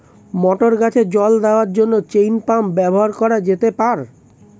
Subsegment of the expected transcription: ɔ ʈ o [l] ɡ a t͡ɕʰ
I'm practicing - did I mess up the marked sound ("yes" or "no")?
yes